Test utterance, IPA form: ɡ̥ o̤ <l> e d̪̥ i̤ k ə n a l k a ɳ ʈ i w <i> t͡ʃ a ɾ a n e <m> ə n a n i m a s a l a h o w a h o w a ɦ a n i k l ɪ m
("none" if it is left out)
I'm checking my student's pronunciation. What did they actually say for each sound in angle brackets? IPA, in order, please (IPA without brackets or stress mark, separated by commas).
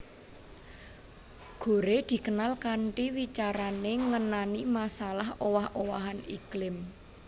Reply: ɾ, i, ŋ